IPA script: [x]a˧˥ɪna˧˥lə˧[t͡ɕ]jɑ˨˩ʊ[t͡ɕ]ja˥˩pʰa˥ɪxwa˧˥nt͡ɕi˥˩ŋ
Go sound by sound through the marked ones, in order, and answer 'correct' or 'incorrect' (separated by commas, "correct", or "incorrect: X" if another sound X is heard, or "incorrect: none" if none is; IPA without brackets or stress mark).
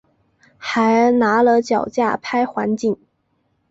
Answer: correct, correct, correct